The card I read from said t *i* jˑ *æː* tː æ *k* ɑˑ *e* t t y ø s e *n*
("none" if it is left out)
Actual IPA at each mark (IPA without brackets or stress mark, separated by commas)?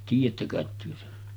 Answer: iː, æ, k, e, n